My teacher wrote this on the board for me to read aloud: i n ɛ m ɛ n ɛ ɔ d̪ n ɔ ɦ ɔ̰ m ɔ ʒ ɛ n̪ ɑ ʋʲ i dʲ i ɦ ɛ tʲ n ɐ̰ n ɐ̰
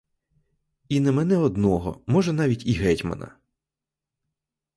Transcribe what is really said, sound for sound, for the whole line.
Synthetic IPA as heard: i n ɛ m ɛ n ɛ ɔ d̪ n ɔ ɦ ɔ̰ m ɔ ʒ ɛ n̪ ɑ ʋʲ i tʲ i ɦ ɛ tʲ m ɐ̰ n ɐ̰

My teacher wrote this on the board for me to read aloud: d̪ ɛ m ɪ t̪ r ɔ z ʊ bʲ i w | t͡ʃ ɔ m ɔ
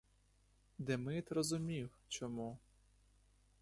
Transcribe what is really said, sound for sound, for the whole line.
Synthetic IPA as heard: d̪ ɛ m ɪ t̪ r ɔ z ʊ mʲ i w | t͡ʃ ɔ m u

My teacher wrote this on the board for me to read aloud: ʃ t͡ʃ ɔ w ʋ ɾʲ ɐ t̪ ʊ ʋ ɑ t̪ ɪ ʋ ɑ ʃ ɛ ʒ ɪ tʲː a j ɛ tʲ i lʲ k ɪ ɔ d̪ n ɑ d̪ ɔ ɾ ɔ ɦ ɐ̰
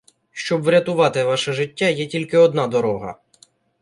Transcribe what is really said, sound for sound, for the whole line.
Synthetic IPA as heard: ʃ t͡ʃ ɔ b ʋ ɾʲ ɐ t̪ ʊ ʋ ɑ t̪ ɪ ʋ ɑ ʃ ɛ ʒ ɪ tʲː a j ɛ tʲ i lʲ k ɪ ɔ d̪ n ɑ d̪ ɔ ɾ ɔ ɦ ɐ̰

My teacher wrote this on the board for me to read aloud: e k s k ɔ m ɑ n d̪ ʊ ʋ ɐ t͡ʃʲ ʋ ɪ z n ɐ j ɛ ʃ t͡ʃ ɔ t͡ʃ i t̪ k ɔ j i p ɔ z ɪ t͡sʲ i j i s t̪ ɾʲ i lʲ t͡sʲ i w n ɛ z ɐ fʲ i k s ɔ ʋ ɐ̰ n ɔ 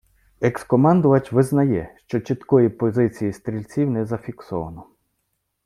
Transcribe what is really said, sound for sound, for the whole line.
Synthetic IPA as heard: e k s k ɔ m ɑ n d̪ ʊ ʋ ɐ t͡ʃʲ ʋ ɪ z n ɐ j ɛ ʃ t͡ʃ ɔ t͡ʃ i t̪ k ɔ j i p ɔ z ɪ t͡sʲ i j i s t̪ ɾʲ i lʲ t͡sʲ i w n ɛ z ɐ fʲ i k s ɔ ʋ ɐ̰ n ɔ

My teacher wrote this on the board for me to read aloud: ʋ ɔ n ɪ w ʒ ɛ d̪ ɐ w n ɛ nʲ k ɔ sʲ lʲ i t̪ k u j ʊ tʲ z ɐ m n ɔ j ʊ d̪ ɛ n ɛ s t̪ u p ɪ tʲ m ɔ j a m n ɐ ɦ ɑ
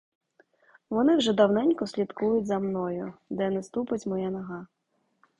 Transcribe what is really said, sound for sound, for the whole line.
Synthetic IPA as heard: ʋ ɔ n ɪ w ʒ ɛ d̪ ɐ w n ɛ nʲ k ɔ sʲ lʲ i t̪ k u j ʊ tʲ z ɐ m n ɔ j ʊ d̪ ɛ n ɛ s t̪ u p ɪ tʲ m ɔ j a n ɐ ɦ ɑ

